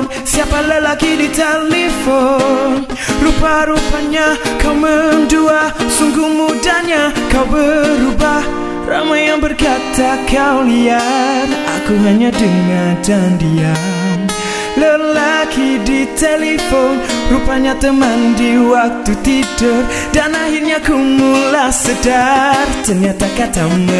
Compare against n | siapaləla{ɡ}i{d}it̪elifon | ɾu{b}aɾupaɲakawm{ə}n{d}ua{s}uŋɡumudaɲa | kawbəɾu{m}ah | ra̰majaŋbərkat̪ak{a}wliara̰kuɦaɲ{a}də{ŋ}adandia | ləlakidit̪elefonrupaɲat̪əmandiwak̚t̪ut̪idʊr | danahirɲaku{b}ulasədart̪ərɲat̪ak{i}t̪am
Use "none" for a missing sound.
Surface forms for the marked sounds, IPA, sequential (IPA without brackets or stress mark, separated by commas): k, d, p, ə, d, s, b, a, a, ŋ, m, a